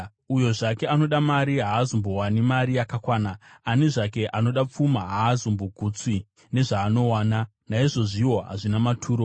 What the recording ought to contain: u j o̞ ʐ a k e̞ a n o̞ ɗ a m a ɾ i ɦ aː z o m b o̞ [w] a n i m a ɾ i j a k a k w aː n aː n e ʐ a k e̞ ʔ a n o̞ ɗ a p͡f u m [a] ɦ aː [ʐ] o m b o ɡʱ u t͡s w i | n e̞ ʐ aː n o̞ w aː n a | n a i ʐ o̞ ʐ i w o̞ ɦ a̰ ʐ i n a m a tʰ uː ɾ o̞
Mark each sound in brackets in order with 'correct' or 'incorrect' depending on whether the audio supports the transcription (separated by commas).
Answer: correct, correct, incorrect